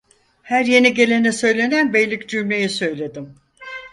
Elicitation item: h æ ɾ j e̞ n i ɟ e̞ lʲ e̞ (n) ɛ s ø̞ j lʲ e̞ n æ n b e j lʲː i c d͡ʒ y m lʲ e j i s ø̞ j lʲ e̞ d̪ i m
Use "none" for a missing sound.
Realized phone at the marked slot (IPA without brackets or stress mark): n